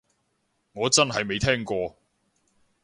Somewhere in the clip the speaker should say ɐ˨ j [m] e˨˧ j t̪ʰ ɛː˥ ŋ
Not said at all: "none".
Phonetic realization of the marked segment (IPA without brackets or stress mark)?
m